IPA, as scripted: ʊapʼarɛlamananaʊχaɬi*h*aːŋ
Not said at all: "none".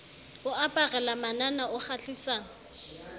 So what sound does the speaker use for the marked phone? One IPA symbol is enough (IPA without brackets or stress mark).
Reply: s